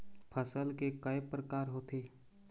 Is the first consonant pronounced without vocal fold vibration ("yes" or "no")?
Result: yes